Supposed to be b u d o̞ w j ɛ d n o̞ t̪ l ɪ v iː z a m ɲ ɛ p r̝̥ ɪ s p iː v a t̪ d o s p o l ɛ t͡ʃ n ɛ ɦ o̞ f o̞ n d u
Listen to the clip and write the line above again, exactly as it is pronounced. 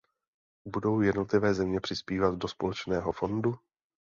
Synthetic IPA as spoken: b u d o̞ w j ɛ d n o̞ t̪ l ɪ v ɛː z ɛ m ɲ ɛ p r̝̥ ɪ s p iː v a t̪ d o s p o l ɛ t͡ʃ n ɛː ɦ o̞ f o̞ n d u